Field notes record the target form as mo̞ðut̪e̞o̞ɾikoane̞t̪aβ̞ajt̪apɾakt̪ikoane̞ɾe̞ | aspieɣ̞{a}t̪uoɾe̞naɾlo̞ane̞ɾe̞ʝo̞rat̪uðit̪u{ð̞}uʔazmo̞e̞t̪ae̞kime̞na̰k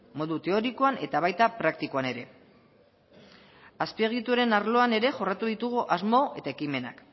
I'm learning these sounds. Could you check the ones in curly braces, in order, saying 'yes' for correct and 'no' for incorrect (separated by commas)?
no, no